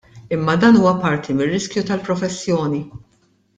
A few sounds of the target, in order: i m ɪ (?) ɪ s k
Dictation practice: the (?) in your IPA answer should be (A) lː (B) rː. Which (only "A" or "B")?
B